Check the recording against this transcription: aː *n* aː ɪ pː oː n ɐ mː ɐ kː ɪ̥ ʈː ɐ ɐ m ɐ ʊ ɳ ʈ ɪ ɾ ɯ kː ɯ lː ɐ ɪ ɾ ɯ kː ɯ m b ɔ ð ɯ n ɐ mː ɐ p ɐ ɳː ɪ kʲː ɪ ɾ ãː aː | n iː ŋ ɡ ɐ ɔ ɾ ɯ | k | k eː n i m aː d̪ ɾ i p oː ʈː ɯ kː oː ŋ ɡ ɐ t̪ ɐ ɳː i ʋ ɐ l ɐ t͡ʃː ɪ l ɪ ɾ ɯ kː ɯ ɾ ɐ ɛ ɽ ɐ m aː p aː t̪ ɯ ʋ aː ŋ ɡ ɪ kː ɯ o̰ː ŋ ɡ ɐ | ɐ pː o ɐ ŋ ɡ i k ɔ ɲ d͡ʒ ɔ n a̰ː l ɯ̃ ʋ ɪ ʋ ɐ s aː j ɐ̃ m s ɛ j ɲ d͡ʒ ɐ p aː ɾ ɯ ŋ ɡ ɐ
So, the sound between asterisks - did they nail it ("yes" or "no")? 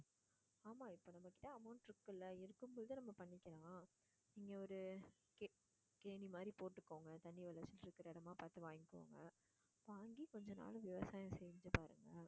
no